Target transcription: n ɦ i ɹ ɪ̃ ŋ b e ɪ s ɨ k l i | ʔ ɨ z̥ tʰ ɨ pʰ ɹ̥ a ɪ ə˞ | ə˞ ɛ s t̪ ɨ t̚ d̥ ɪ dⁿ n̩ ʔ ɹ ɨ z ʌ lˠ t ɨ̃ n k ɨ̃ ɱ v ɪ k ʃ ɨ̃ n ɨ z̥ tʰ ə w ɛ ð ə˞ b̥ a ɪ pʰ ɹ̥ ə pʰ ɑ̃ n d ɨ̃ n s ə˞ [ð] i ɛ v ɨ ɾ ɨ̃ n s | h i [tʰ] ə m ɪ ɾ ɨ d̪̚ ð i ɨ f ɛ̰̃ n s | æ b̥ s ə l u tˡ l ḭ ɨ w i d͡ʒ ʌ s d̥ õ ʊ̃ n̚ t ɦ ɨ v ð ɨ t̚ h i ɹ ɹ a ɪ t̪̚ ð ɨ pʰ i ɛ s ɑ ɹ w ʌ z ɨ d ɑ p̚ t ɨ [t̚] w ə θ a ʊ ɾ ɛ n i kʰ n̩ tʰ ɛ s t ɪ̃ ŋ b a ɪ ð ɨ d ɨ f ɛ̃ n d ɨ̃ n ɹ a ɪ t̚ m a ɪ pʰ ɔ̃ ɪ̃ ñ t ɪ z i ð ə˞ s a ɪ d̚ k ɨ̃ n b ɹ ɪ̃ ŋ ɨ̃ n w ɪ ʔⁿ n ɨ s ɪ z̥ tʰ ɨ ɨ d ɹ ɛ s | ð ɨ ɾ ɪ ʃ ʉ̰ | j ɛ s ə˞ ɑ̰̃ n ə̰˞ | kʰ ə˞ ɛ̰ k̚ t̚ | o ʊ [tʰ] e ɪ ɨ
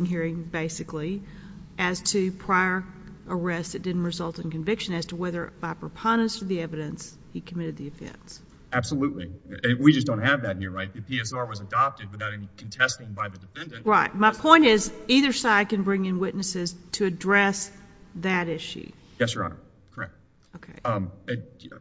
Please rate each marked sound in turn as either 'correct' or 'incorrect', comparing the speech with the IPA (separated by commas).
correct, incorrect, incorrect, incorrect